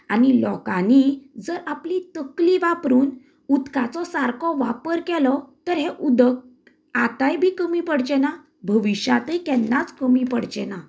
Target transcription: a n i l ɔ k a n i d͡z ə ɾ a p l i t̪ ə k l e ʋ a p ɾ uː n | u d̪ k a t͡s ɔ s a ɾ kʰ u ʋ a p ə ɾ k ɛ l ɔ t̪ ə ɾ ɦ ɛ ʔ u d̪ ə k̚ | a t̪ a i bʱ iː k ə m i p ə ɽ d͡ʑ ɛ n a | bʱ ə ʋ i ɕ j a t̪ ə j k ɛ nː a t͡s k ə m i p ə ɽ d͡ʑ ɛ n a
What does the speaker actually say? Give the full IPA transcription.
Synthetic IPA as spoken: a n i l ɔ k a n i d͡z ə ɾ a p l i t̪ ə k l i ʋ a p ɾ uː n | u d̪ k a t͡s ɔ s a ɾ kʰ ɔ ʋ a p ə ɾ k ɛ l ɔ t̪ ə ɾ ɦ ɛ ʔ u d̪ ə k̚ | a t̪ a j bʱ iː k ə m i p ə ɽ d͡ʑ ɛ n a | bʱ ə ʋ i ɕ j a t̪ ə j k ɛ nː a t͡s k ə m i p ə ɽ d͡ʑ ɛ n a